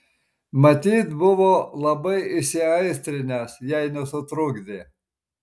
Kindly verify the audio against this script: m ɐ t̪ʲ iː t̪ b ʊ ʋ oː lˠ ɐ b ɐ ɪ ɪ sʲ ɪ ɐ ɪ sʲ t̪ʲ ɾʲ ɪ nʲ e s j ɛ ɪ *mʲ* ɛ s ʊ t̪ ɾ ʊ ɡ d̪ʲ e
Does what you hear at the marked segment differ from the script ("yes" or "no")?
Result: yes